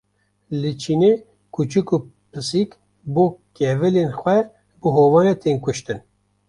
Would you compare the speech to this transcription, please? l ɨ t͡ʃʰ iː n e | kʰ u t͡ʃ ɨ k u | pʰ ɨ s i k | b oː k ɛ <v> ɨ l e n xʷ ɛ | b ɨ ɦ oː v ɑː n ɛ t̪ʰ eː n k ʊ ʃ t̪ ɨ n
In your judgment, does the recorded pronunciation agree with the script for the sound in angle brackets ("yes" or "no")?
yes